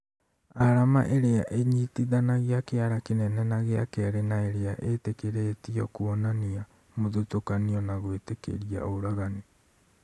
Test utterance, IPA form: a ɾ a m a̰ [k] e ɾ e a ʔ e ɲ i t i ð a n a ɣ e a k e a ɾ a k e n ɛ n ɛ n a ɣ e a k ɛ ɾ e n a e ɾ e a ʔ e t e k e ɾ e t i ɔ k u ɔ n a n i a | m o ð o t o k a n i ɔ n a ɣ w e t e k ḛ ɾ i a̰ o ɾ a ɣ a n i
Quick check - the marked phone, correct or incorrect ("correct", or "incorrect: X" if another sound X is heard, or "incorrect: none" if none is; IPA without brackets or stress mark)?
incorrect: ʔ